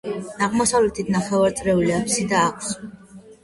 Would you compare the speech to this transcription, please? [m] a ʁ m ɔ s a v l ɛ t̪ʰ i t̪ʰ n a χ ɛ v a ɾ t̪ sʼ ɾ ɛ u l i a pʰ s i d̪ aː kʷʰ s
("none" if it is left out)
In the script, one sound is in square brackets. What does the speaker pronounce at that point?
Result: n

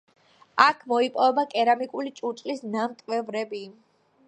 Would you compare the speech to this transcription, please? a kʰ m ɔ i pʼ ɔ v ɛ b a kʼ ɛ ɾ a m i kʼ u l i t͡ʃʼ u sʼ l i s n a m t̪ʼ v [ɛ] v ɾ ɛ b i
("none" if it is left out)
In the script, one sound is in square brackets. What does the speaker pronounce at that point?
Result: ɛ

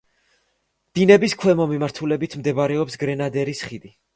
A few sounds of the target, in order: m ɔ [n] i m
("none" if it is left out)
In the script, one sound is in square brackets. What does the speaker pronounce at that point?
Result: m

